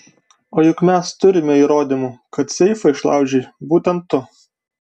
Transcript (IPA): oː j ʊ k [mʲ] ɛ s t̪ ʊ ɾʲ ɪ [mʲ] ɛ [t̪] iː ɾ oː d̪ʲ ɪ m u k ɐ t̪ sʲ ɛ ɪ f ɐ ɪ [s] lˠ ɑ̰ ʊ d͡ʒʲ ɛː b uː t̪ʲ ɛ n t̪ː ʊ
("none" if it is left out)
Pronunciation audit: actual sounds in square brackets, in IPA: mʲ, mʲ, none, ʃ

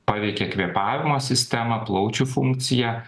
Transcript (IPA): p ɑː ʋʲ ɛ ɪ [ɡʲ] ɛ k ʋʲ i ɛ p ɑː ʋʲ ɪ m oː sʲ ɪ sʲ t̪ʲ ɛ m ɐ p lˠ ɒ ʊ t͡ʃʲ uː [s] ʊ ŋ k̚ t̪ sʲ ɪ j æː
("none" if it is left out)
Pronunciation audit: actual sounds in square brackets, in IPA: kʲ, f

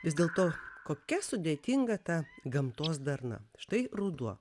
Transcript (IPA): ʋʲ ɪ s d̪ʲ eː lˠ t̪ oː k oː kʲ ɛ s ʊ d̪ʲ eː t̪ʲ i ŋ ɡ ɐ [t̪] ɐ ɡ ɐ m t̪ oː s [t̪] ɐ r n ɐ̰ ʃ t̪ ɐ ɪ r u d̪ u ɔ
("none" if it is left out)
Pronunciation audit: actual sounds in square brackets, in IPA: t̪, d̪

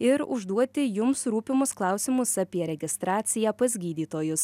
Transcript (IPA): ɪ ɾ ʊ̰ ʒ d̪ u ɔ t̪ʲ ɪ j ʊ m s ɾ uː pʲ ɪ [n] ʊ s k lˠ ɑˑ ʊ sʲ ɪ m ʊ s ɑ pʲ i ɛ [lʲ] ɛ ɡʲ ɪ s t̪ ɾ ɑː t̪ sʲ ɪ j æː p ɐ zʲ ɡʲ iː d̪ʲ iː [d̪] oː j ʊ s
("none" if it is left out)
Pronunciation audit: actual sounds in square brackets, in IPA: m, ɾʲ, t̪

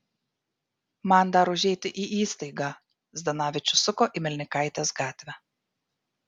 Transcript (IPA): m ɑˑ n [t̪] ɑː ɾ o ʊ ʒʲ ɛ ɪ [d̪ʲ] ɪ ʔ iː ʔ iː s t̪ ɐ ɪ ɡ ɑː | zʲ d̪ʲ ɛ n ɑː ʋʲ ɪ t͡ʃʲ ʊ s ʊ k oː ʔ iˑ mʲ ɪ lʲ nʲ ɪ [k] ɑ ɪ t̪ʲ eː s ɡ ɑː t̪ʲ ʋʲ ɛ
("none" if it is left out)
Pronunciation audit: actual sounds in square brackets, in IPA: d̪, t̪ʲ, k

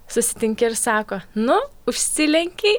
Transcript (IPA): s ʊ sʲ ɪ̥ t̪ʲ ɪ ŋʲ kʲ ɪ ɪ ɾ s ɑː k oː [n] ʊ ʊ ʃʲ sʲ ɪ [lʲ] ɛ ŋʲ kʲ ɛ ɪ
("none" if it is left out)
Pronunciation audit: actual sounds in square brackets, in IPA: n, lʲ

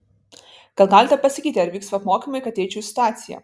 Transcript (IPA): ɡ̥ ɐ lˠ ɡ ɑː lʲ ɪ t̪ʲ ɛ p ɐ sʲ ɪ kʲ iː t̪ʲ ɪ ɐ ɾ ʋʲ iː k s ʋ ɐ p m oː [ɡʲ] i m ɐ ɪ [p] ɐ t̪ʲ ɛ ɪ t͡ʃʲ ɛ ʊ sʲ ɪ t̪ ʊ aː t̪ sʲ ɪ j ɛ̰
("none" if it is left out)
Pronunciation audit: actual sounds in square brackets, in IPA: kʲ, k

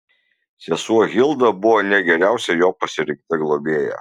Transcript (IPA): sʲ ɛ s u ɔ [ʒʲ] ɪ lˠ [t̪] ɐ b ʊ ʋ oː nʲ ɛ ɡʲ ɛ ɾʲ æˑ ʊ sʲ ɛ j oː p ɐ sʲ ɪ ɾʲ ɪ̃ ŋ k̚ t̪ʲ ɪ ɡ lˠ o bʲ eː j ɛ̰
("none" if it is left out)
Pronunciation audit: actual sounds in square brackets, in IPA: ɣʲ, d̪

